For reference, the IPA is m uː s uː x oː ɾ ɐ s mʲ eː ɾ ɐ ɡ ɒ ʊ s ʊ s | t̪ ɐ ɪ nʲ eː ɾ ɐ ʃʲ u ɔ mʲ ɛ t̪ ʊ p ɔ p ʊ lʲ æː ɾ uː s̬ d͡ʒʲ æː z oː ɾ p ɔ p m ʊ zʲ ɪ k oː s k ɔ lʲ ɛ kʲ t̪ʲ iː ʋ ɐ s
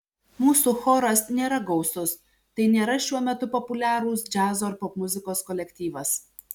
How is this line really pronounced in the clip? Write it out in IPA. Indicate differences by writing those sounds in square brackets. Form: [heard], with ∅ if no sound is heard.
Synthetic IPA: m uː s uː x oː ɾ ɐ s [nʲ] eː ɾ ɐ ɡ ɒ ʊ s ʊ s | t̪ ɐ ɪ nʲ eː ɾ ɐ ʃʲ u ɔ mʲ ɛ t̪ ʊ p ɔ p ʊ lʲ æː ɾ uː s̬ d͡ʒʲ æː z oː ɾ p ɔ p m ʊ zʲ ɪ k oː s k ɔ lʲ ɛ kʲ t̪ʲ iː ʋ ɐ s